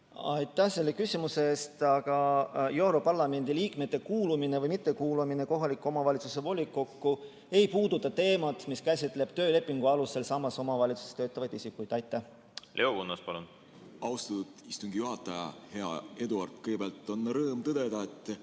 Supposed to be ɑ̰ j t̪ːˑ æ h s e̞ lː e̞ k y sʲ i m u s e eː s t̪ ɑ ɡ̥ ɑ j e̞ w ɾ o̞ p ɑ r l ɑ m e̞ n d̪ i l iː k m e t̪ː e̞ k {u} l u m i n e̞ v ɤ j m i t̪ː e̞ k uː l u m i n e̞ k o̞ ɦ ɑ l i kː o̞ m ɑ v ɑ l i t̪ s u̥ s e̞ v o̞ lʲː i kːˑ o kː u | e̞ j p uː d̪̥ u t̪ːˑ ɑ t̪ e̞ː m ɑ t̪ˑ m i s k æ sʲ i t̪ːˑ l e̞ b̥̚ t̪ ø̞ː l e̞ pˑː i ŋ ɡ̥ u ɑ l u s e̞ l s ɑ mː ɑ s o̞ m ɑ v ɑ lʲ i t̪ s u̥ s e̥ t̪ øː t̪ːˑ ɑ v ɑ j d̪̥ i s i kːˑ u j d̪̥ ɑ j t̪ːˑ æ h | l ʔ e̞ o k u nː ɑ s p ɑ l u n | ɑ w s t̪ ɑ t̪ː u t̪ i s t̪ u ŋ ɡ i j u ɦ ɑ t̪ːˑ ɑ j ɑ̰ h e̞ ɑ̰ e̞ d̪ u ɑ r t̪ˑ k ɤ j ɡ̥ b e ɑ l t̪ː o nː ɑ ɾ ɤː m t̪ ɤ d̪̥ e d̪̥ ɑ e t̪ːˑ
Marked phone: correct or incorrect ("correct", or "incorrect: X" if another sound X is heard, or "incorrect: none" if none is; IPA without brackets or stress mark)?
incorrect: uː